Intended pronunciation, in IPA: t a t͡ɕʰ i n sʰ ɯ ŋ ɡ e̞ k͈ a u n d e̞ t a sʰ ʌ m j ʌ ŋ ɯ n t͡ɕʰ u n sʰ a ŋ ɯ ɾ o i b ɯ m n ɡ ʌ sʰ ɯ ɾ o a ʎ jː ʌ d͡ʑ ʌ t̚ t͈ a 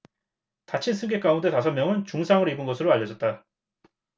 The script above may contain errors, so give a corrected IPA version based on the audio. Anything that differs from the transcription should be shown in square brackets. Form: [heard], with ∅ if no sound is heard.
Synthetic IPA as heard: t a t͡ɕʰ i n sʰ ɯ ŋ ɡ e̞ k͈ a u n d e̞ t a sʰ ʌ m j ʌ ŋ ɯ n [t͡ɕ] u [ŋ] sʰ a ŋ ɯ ɾ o i b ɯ [∅] n ɡ ʌ sʰ ɯ ɾ o a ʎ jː ʌ d͡ʑ ʌ t̚ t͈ a